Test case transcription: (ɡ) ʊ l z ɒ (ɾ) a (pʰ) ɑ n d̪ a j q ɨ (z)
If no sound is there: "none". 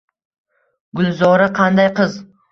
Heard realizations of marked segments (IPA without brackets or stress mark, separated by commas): ɡ, ɾ, qʰ, z